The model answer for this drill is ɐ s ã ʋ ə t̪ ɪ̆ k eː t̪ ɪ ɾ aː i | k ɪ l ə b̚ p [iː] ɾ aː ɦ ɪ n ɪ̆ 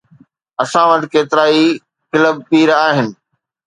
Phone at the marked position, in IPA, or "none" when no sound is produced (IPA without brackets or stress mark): iː